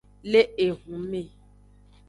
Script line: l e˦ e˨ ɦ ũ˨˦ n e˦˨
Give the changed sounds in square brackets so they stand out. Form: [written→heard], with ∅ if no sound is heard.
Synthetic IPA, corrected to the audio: l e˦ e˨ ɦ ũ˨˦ [n→m] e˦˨